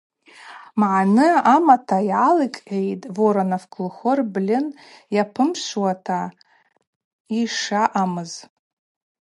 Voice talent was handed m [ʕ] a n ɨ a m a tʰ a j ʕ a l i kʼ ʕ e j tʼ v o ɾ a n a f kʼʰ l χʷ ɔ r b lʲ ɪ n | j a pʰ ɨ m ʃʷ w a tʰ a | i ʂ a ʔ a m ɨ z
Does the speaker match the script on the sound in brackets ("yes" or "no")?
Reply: yes